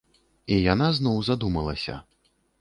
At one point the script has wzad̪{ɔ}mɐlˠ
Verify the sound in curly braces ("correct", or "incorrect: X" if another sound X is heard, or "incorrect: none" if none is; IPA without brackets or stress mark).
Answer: incorrect: u